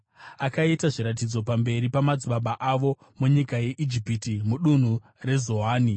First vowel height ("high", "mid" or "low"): low